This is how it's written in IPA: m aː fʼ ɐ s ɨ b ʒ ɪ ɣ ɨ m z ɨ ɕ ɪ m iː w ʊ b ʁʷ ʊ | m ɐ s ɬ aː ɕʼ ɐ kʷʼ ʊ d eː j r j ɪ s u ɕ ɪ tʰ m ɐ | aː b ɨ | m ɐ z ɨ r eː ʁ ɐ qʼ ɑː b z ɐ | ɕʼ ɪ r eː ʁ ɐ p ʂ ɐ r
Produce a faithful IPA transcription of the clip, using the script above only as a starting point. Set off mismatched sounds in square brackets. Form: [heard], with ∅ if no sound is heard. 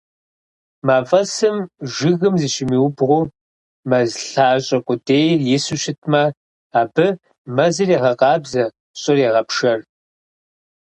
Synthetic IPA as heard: m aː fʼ ɐ s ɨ [m] ʒ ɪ ɣ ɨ m z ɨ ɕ ɪ m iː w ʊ b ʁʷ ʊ | m ɐ [z] ɬ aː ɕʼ ɐ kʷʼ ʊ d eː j r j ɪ s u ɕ ɪ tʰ m ɐ | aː b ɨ | m ɐ z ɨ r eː ʁ ɐ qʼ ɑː b z ɐ | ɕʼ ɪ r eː ʁ ɐ p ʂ ɐ r